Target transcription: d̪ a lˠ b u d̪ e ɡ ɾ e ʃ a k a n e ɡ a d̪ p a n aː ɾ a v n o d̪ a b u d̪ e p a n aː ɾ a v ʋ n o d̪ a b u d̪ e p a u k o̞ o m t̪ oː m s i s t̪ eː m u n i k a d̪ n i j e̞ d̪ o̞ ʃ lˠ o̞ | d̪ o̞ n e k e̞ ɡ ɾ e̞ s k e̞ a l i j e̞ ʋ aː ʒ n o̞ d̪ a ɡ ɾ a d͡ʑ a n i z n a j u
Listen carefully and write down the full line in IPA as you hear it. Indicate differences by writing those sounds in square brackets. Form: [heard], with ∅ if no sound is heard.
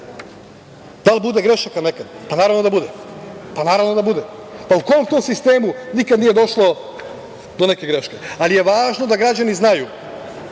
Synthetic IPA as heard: d̪ a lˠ b u d̪ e ɡ ɾ e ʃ a k a n e [k] a d̪ p a n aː ɾ a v n o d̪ a b u d̪ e p a n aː ɾ a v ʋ n o d̪ a b u d̪ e p a u k o̞ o m t̪ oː m s i s t̪ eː m u n i k a d̪ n i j e̞ d̪ o̞ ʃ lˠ o̞ | d̪ o̞ n e k e̞ ɡ ɾ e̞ [ʃ] k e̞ a l i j e̞ ʋ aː ʒ n o̞ d̪ a ɡ ɾ a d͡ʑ a n i z n a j u